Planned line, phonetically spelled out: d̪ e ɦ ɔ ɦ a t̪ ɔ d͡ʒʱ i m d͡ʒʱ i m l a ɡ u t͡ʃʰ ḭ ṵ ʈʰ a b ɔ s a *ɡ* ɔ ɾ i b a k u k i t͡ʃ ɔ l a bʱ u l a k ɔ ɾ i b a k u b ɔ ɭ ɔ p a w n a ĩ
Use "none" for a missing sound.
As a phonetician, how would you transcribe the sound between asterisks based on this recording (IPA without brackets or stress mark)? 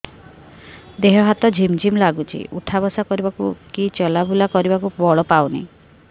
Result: k